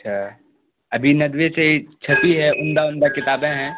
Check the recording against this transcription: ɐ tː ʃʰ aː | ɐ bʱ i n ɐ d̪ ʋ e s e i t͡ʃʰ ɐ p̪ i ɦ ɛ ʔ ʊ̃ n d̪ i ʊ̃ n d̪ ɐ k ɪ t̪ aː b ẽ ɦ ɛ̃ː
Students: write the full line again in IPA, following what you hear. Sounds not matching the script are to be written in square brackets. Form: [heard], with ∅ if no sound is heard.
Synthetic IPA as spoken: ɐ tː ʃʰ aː | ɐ bʱ i n ɐ d̪ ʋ e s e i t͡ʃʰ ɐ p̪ i ɦ ɛ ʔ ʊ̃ n d̪ [a] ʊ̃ n d̪ [a] k ɪ t̪ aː b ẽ ɦ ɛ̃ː